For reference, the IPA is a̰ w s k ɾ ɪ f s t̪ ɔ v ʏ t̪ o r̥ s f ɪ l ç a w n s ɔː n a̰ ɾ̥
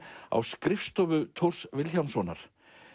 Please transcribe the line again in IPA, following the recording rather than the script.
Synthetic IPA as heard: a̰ w s k ɾ ɪ f s t̪ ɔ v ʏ t̪ʰ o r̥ s v ɪ l ç a w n s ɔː n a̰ ɾ̥